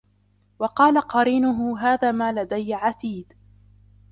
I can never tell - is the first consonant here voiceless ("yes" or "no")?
no